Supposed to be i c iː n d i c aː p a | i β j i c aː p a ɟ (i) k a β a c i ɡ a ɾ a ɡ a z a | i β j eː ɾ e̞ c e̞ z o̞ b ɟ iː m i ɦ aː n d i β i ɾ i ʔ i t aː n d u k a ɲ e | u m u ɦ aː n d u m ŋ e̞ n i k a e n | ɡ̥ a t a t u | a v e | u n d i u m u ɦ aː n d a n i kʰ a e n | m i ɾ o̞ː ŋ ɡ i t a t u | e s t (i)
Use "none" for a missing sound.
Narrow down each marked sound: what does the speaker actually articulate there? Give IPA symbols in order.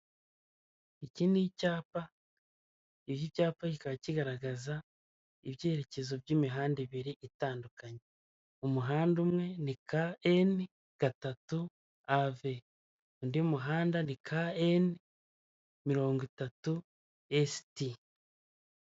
i, i

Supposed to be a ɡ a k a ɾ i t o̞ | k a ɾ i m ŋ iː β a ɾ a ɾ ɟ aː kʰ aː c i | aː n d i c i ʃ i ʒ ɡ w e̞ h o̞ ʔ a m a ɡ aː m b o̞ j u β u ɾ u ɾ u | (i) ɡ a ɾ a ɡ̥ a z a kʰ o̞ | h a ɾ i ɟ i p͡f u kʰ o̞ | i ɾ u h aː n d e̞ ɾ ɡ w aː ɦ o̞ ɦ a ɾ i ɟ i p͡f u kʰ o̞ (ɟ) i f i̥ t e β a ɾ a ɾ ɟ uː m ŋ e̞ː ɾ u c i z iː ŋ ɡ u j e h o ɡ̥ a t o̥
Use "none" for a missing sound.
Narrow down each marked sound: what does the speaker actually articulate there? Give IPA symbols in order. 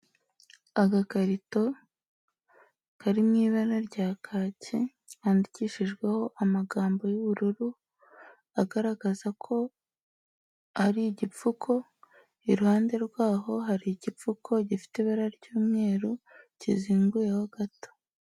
a, ɟ

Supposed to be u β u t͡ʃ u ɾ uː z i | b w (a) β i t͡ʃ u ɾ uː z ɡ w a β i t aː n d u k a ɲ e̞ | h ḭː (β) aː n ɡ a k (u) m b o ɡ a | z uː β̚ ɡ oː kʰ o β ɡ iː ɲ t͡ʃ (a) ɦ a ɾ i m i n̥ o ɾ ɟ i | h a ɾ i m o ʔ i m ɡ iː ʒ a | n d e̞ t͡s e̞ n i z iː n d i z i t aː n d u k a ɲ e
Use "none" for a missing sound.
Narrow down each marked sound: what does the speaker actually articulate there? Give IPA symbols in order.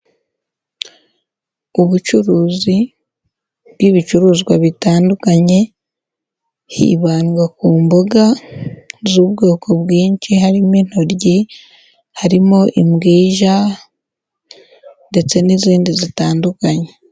i, β, uː, i

